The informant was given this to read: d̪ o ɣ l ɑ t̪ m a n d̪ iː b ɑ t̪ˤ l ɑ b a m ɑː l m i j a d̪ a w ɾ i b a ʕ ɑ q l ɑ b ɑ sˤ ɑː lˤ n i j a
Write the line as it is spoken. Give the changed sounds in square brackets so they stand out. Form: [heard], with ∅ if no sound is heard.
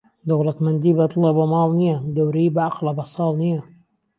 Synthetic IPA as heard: d̪ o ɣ l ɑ t̪ m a n d̪ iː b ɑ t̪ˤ l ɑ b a m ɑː l [n] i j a d̪ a w ɾ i b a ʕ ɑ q l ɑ b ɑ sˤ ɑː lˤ n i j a